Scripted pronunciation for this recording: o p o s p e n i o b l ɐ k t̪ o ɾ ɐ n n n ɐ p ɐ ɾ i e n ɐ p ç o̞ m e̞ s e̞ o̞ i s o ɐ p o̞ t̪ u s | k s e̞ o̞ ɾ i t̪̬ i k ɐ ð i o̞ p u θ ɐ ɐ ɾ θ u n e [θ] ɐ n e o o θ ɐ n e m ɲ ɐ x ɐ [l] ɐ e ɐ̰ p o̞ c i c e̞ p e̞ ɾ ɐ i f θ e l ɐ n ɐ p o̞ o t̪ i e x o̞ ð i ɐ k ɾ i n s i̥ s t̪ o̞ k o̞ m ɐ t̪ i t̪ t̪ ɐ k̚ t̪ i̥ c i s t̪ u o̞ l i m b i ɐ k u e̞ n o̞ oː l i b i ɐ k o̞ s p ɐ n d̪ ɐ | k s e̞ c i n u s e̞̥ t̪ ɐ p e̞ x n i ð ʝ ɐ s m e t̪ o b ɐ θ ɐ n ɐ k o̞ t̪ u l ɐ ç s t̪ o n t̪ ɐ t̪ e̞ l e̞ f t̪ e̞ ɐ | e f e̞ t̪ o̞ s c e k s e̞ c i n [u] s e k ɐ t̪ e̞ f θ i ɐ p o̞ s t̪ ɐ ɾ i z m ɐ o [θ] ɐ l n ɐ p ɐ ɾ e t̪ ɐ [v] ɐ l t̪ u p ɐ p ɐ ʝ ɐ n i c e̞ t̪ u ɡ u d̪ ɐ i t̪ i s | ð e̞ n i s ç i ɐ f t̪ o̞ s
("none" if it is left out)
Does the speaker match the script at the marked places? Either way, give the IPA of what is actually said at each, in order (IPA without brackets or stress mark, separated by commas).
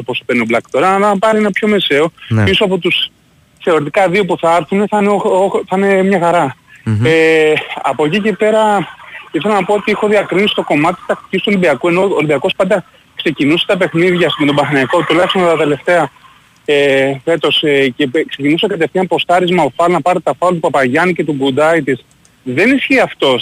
θ, ɾ, u, f, f